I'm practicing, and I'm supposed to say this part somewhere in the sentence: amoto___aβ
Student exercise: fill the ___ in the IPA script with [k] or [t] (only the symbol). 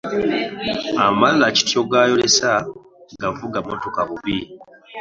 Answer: k